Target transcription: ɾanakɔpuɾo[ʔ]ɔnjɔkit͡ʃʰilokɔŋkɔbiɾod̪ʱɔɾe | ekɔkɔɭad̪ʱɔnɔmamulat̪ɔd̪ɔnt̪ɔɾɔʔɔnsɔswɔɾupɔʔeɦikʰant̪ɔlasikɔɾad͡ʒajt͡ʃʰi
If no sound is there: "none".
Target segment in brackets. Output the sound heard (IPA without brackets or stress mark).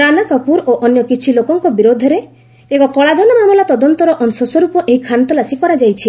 ʔ